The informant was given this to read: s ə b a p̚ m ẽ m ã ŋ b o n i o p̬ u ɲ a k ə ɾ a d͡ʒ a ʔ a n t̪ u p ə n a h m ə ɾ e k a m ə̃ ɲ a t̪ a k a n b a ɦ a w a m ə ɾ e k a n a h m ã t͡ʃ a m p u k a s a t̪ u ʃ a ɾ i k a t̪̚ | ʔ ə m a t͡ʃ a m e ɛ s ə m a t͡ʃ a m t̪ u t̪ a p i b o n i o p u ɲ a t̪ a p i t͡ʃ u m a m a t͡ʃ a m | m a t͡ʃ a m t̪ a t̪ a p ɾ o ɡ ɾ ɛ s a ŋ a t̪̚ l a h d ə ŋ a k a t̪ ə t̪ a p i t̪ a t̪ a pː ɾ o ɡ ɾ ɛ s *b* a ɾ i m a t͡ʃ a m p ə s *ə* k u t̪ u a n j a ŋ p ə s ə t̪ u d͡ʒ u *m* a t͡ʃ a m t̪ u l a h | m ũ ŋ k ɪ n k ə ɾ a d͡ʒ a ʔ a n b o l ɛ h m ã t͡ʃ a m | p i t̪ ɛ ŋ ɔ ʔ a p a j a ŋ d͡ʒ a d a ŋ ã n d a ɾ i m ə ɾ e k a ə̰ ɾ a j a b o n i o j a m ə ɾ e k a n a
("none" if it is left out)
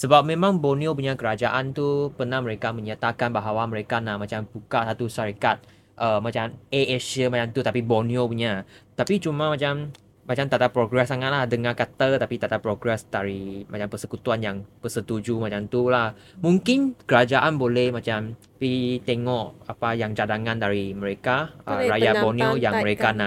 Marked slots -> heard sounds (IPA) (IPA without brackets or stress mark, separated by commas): d, ə, m